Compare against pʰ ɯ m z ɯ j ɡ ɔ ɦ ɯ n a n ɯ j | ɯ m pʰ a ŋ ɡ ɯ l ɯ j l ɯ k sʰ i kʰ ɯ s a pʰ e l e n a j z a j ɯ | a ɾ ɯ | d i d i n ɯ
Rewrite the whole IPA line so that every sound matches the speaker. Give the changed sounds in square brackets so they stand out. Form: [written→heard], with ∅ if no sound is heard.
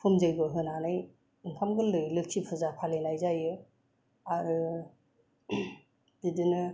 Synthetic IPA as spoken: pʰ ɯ m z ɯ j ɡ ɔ ɦ ɯ n a n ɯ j | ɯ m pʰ a [ŋ→m] ɡ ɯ l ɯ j l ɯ k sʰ i [kʰ→pʰ] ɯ [s→z] a pʰ [e→a] l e n a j z a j ɯ | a ɾ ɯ | d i d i n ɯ